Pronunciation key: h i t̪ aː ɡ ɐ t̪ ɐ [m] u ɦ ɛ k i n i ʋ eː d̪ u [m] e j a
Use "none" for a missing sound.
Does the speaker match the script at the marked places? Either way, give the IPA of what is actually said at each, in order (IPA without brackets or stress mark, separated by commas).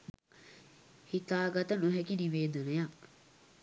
n, n